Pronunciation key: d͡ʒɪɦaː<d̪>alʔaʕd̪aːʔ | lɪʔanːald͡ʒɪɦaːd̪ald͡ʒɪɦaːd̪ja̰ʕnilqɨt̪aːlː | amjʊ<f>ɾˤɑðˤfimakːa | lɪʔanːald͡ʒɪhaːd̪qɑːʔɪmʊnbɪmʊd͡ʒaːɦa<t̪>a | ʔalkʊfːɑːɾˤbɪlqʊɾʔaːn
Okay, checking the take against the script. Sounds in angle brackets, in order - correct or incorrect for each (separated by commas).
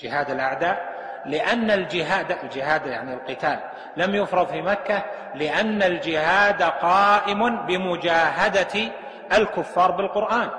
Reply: correct, correct, incorrect